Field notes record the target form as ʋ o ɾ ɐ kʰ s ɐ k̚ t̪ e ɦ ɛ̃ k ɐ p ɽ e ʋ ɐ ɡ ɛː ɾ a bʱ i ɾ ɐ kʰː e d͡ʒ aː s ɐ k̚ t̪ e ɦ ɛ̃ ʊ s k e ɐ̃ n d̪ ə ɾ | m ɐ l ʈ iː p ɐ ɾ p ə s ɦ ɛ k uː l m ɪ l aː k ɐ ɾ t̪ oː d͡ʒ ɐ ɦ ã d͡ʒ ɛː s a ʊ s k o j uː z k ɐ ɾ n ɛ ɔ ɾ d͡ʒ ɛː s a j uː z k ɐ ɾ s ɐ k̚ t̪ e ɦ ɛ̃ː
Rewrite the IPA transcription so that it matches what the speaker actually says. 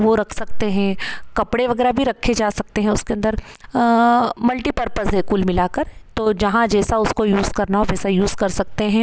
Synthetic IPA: ʋ o ɾ ɐ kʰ s ɐ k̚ t̪ e ɦ ɛ̃ k ɐ p ɽ e ʋ ɐ ɡ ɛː ɾ a bʱ i ɾ ɐ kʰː e d͡ʒ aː s ɐ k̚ t̪ e ɦ ɛ̃ ʊ s k e ɐ̃ n d̪ ə ɾ | m ɐ l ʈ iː p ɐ ɾ p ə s ɦ ɛ k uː l m ɪ l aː k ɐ ɾ t̪ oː d͡ʒ ɐ ɦ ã d͡ʒ ɛː s a ʊ s k o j uː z k ɐ ɾ n a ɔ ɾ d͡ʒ ɛː s a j uː z k ɐ ɾ s ɐ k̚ t̪ e ɦ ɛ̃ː